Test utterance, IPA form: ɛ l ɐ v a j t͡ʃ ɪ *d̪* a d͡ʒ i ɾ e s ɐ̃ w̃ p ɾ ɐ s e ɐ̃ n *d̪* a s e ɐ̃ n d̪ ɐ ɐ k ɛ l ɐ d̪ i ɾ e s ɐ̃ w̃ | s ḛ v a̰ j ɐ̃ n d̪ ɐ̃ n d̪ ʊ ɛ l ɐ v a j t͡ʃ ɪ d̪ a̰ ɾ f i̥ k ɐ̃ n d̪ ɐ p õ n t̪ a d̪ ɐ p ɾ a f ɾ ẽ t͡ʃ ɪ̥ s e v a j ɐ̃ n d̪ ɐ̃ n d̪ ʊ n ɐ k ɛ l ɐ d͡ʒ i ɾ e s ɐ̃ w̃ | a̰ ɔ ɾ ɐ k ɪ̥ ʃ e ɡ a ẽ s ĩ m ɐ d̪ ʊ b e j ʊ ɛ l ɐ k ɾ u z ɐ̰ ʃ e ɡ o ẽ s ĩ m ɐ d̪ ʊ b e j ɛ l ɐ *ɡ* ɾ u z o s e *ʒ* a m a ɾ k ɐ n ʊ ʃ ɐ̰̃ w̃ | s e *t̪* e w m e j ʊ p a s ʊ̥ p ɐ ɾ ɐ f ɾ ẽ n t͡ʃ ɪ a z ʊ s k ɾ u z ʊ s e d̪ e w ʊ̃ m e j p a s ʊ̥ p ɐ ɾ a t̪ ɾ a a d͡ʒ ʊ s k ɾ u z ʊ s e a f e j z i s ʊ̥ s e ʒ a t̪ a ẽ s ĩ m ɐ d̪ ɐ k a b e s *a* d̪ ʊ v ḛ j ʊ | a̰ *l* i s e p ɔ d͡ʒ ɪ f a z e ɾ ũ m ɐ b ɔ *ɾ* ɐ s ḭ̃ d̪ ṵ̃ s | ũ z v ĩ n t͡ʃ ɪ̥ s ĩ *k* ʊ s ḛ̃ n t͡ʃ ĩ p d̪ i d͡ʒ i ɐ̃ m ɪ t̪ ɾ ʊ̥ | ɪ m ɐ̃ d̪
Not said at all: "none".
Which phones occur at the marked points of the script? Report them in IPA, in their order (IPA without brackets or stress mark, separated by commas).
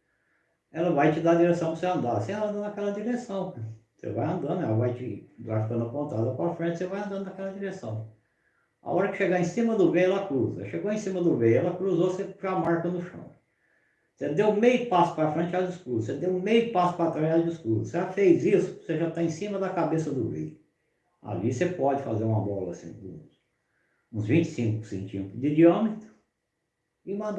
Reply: d̪, d̪, k, ʒ, d̪, ɐ, l, l, k